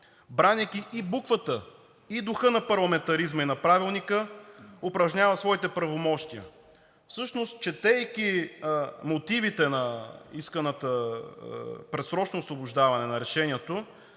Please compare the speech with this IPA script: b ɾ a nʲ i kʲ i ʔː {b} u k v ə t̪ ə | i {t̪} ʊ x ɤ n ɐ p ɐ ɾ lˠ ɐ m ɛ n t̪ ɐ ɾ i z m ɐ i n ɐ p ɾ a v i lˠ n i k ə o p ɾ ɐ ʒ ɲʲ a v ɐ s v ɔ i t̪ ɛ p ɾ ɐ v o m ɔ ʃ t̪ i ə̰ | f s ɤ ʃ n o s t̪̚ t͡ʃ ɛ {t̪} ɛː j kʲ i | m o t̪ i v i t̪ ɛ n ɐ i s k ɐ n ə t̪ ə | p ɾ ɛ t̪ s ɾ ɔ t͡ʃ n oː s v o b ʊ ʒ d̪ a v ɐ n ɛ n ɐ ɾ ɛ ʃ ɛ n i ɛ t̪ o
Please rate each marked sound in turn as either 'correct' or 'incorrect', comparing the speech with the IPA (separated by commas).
correct, incorrect, correct